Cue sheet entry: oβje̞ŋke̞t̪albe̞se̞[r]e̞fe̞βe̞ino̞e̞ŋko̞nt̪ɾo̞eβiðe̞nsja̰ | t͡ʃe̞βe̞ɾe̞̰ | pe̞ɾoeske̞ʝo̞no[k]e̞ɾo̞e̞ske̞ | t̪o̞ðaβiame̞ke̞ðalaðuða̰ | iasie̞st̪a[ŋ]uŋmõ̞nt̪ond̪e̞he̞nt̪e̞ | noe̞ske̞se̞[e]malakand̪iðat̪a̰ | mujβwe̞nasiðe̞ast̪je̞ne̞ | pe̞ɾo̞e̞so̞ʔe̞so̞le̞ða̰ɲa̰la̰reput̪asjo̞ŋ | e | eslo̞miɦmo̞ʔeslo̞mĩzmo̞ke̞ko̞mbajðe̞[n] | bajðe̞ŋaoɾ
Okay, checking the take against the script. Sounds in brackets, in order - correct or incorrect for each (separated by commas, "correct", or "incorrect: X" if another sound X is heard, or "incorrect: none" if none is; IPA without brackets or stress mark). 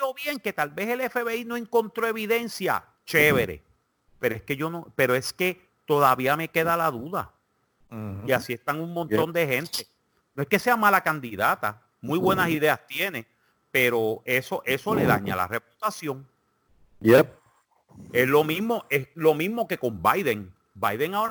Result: incorrect: l, incorrect: p, correct, incorrect: a, incorrect: ŋ